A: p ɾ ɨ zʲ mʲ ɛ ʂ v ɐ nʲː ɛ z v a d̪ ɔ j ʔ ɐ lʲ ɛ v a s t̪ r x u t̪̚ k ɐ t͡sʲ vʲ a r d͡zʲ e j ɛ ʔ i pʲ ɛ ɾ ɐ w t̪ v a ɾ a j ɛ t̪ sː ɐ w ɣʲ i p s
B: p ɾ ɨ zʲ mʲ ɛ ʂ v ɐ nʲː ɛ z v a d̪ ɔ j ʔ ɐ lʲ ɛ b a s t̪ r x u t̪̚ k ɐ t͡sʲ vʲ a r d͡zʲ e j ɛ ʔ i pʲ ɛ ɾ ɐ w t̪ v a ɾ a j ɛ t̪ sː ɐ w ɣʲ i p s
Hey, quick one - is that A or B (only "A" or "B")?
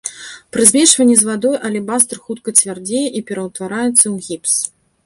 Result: B